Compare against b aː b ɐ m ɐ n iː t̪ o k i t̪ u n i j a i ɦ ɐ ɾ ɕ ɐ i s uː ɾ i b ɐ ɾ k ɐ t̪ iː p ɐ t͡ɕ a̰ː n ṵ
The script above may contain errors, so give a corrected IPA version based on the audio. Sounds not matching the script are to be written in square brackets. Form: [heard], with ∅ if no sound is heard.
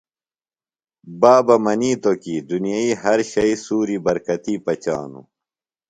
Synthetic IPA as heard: b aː b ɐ m ɐ n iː t̪ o k i [d̪] u n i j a i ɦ ɐ ɾ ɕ ɐ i s uː ɾ i b ɐ ɾ k ɐ t̪ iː p ɐ t͡ɕ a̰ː n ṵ